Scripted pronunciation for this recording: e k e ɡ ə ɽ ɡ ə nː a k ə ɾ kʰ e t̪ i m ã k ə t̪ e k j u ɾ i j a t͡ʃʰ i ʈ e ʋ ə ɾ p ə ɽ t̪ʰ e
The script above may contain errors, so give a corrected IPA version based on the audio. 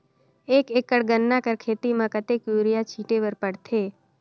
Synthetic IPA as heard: e k e k ə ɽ ɡ ə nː a k ə ɾ kʰ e t̪ i m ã k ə t̪ e k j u ɾ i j a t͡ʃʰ i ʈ e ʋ ə ɾ p ə ɽ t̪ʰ e

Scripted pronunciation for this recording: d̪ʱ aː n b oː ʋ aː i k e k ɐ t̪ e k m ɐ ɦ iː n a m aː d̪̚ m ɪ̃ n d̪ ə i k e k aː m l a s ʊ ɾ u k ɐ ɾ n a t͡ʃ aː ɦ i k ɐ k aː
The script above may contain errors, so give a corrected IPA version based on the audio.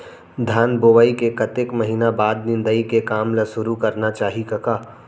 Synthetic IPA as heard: d̪ʱ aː n b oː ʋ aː i k e k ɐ t̪ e k m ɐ ɦ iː n a b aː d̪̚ n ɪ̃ n d̪ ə i k e k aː m l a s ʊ ɾ u k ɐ ɾ n a t͡ʃ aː ɦ i k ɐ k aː

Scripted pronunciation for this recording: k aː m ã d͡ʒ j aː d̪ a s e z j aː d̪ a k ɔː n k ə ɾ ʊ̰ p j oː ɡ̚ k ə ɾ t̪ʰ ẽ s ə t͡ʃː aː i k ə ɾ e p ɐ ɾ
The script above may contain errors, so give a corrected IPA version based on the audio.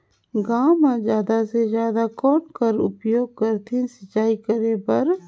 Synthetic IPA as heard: ɡ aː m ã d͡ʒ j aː d̪ a s e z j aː d̪ a k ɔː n k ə ɾ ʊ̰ p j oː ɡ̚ k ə ɾ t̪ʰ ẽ s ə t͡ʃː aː i k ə ɾ e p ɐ ɾ

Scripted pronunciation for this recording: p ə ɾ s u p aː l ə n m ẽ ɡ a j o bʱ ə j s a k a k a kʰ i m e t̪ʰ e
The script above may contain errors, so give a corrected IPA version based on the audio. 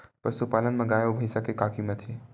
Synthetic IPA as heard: p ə ɾ s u p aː l ə n m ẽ ɡ a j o bʱ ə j s a k e k a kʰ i m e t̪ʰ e

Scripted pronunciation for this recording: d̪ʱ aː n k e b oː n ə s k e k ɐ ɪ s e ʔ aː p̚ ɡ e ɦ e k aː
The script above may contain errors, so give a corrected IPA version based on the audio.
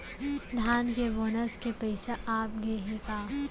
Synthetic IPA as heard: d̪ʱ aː n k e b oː n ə s k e p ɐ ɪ s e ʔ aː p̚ ɡ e ɦ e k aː

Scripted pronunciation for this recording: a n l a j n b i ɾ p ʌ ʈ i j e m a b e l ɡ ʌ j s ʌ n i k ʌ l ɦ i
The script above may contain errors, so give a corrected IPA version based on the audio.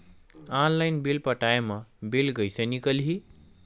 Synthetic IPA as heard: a n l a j n b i l p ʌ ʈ a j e m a b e l ɡ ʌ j s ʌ n i k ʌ l ɦ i

